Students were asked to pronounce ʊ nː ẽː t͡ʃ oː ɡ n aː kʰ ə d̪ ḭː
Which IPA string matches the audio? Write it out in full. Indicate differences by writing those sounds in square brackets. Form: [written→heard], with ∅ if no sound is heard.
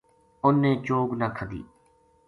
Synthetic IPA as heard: ʊ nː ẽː t͡ʃ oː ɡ n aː kʰ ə d̪ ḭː